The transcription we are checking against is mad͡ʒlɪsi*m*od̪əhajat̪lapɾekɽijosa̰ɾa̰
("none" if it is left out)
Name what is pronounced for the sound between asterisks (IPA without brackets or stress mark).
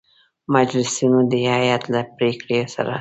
n